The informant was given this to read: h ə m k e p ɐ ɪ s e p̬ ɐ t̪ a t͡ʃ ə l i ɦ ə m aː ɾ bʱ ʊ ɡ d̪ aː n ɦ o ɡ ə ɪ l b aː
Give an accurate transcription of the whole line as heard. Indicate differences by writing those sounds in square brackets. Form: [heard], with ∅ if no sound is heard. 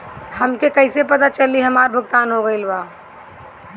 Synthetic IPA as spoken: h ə m k e [k] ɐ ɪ s e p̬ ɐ t̪ a t͡ʃ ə l i ɦ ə m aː ɾ bʱ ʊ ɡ [t̪] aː n ɦ o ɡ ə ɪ l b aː